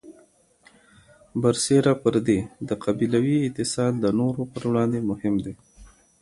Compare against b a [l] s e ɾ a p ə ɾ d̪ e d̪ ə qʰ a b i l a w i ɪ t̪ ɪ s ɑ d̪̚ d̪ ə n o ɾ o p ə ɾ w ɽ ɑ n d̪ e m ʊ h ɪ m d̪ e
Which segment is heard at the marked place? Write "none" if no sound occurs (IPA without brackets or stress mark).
ɾ